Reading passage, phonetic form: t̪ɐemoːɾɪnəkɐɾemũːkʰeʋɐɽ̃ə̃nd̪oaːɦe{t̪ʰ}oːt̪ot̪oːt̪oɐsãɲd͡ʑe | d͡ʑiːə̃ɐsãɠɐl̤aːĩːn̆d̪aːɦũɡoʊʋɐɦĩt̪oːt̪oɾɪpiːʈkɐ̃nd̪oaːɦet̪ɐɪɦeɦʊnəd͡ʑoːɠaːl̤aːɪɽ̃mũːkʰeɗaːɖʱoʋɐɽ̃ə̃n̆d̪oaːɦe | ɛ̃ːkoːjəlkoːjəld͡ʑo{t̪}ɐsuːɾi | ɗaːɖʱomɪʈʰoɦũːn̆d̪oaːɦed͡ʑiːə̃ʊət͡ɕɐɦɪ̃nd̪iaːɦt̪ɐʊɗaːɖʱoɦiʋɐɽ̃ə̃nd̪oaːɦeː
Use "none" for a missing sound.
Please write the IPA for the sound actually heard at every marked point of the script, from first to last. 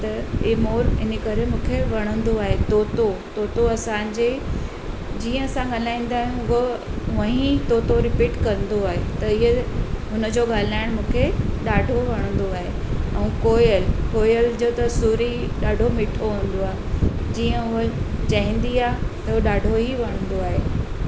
t̪, t̪

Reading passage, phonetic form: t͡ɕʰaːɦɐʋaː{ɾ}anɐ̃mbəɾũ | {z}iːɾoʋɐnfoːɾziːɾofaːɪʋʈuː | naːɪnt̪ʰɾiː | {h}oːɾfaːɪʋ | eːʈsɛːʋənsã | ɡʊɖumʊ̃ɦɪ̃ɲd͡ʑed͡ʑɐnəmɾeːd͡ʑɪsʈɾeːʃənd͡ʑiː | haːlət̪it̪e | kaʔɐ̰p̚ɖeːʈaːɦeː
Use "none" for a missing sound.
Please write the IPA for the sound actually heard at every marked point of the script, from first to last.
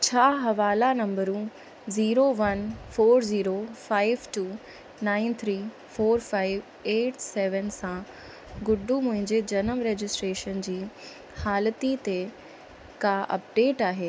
l, z, f

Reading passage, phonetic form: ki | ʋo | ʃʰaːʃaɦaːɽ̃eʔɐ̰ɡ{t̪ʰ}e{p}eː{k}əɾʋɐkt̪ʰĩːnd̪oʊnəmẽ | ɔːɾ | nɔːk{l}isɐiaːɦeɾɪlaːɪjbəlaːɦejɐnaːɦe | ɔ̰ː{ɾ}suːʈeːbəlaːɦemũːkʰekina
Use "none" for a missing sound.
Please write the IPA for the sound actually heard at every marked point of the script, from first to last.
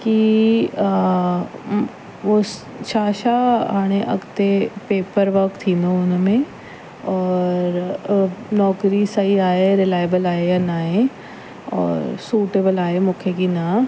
t̪, p, p, ɾ, ɾ

